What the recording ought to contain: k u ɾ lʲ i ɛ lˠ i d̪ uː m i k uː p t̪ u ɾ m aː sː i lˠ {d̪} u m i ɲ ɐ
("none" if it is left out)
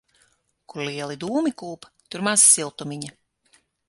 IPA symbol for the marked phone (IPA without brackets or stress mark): t̪